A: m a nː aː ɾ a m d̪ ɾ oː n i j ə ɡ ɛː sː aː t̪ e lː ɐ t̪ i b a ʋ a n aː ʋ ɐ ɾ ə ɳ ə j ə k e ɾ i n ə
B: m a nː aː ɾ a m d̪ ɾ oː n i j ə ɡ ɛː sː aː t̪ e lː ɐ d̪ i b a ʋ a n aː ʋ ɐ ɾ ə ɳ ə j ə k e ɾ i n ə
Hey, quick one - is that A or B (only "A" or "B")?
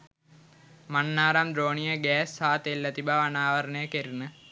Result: A